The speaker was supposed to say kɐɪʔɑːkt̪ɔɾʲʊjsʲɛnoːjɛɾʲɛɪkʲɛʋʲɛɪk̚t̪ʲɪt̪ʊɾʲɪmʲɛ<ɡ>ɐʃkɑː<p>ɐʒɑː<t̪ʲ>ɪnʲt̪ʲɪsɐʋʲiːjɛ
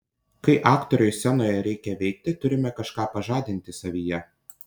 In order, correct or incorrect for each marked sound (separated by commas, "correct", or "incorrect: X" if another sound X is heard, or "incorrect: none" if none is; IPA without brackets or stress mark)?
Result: incorrect: k, correct, incorrect: d̪ʲ